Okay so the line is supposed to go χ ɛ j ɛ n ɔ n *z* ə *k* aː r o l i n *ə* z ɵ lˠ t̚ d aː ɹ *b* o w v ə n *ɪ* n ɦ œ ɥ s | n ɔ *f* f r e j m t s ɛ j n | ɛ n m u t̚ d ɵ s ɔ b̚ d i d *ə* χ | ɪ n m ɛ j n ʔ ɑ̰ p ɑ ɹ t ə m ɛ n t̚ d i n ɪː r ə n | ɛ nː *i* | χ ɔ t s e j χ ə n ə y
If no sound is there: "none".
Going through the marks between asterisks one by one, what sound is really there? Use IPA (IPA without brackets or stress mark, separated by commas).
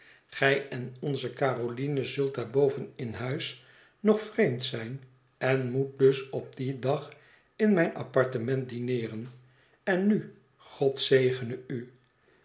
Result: z, k, ə, b, ɪ, χ, ɑ, y